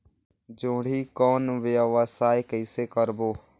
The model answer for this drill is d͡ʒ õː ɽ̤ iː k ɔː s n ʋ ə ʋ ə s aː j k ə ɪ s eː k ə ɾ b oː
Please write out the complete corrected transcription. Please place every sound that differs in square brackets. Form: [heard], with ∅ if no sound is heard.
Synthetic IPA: d͡ʒ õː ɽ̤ iː k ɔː [∅] n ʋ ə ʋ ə s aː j k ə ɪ s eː k ə ɾ b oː